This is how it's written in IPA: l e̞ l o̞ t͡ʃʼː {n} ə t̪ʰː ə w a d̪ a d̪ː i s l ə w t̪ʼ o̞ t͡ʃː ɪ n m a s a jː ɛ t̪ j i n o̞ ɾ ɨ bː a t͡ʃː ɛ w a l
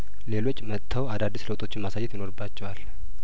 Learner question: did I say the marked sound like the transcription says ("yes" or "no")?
no